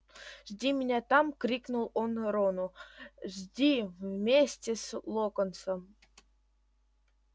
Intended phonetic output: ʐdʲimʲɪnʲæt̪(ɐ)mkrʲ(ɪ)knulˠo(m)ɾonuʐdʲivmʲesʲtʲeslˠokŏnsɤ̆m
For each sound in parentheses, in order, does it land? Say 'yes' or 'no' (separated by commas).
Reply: no, no, no